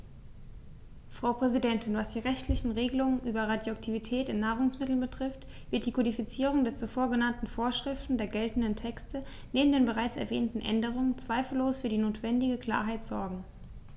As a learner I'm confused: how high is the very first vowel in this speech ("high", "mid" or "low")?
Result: low